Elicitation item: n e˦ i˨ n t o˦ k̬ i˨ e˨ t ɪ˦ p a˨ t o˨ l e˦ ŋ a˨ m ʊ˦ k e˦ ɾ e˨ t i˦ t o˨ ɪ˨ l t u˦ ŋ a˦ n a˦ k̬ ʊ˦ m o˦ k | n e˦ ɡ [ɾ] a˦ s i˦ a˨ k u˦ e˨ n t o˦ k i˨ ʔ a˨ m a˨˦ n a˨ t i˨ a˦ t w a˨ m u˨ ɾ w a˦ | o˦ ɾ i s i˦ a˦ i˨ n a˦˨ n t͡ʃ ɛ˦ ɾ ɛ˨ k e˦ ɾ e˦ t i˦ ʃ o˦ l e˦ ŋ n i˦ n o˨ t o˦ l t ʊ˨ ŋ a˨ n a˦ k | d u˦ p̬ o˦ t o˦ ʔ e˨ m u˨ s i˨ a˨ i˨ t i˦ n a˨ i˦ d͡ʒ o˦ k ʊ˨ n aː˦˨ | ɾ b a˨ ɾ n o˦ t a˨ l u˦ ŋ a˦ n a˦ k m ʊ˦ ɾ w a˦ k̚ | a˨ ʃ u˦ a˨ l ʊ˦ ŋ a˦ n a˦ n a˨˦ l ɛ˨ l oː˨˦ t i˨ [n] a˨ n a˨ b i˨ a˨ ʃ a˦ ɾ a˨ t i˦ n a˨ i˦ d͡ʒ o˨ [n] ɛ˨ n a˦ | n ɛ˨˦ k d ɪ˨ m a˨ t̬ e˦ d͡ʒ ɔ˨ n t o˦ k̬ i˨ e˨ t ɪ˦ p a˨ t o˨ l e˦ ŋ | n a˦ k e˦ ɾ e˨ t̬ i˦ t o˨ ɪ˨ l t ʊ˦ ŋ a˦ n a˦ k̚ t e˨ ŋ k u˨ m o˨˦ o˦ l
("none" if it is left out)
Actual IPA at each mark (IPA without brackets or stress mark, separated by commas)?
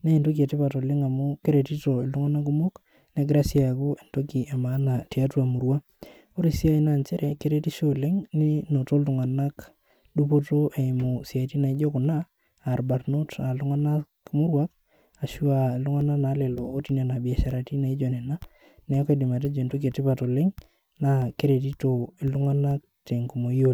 ɾ, n, n